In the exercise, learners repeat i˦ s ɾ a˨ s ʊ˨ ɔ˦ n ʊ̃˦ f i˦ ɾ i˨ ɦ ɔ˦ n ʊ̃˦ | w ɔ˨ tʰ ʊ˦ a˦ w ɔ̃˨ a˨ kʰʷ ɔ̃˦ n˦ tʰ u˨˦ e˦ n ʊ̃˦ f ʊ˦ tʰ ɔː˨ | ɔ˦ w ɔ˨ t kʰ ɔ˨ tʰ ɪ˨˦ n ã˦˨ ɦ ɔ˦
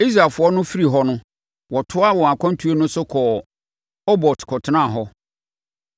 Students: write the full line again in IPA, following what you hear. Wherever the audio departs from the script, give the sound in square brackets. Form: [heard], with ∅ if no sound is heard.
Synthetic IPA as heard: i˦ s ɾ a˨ [f] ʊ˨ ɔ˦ n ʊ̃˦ f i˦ ɾ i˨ ɦ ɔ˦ n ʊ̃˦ | w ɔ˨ tʰ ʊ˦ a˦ w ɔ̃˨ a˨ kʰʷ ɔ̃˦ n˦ tʰ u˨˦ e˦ n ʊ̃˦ [s] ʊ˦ [kʰ] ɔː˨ | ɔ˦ [b] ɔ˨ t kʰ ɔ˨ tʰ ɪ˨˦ n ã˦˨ ɦ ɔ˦

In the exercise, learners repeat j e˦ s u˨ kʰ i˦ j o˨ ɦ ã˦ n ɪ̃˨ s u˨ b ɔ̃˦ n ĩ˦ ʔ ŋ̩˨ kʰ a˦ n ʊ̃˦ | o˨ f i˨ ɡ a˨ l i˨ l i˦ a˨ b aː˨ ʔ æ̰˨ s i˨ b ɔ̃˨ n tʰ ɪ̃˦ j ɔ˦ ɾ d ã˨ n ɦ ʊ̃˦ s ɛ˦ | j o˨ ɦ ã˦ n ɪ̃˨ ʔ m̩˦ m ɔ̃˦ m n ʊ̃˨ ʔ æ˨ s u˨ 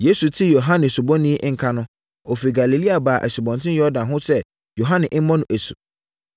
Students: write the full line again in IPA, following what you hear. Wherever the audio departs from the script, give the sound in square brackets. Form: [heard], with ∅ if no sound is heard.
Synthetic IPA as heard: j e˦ s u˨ [tʰ] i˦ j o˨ ɦ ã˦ n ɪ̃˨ s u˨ b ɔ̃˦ n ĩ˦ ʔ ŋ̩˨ kʰ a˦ n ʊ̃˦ | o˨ f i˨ ɡ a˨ l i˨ l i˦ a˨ b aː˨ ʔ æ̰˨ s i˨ b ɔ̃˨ n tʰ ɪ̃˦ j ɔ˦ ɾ d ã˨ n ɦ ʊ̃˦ s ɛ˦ | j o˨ ɦ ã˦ n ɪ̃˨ ʔ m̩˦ m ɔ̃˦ [∅] n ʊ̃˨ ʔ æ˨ s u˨

